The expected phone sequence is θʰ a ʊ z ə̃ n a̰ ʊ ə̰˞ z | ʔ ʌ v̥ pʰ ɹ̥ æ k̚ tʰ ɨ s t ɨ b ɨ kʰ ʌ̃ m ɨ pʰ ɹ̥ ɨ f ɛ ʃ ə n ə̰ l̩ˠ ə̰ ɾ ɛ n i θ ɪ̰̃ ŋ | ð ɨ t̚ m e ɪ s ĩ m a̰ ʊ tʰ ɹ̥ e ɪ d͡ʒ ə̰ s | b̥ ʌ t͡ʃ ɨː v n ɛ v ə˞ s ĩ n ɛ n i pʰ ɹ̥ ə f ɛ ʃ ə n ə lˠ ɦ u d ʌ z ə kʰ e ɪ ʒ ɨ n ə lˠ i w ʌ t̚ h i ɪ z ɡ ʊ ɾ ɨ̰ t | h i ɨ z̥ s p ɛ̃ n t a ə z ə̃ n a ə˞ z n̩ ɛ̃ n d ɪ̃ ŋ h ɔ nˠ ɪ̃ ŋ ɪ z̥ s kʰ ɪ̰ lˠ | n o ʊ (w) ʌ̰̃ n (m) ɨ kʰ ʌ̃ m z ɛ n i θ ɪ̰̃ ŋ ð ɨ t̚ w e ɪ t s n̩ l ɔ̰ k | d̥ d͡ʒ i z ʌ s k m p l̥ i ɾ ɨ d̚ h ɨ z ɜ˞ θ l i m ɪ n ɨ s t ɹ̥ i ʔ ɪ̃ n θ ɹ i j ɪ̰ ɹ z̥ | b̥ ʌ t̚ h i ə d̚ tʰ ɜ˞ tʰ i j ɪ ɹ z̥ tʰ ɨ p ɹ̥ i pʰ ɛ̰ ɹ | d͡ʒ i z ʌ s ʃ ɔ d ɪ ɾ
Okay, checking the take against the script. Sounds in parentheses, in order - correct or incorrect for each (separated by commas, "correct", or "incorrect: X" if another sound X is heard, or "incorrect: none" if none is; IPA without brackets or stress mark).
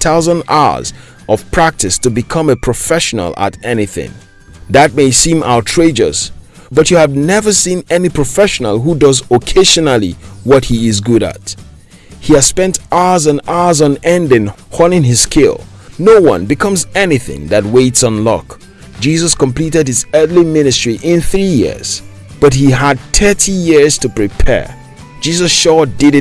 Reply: correct, incorrect: b